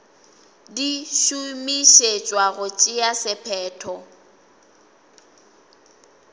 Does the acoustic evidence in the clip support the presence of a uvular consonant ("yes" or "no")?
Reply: no